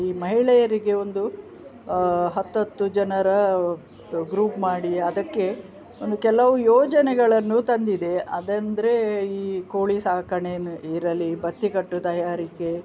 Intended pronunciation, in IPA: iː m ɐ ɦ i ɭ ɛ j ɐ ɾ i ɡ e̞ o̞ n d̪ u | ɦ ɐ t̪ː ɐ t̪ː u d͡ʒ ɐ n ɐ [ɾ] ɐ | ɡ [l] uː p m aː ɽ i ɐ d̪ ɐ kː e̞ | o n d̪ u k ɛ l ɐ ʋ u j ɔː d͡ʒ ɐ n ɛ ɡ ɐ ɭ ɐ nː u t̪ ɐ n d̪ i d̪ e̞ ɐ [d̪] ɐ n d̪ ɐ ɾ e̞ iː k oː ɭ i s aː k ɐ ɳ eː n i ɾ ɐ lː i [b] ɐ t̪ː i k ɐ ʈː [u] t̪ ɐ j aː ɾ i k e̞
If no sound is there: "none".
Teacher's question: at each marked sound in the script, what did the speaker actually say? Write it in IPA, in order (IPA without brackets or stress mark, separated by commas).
ɾ, ɾ, d̪, b, u